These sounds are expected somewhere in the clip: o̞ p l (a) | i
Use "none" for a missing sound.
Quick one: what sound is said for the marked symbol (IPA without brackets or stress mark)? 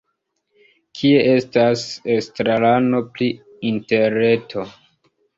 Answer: i